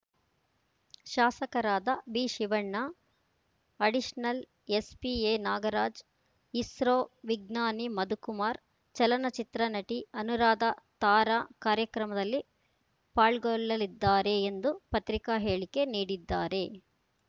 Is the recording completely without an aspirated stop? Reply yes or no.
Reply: yes